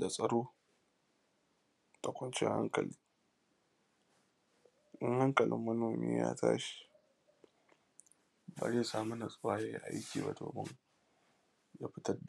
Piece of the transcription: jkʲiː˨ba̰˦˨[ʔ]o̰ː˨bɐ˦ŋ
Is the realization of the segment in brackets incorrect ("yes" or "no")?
yes